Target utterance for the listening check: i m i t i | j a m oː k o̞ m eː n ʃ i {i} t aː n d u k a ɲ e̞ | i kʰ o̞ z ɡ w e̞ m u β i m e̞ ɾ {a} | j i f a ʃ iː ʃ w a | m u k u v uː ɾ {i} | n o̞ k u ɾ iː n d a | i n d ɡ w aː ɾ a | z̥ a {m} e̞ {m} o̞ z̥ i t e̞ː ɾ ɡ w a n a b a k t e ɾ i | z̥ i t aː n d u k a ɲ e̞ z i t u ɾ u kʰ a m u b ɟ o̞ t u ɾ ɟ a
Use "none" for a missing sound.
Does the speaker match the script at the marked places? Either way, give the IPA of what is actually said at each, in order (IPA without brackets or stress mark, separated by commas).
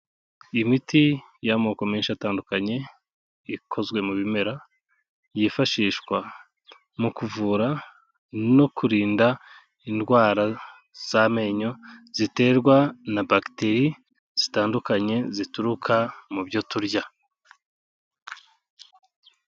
a, a, a, m, ɲ